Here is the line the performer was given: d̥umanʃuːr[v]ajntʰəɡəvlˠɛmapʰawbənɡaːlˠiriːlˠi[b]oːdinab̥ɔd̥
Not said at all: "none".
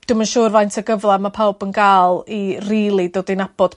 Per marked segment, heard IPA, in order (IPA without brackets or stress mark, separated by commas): v, d